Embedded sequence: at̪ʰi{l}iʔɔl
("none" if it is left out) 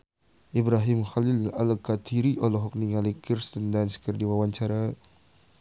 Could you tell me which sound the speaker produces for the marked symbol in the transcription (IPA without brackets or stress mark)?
ɾ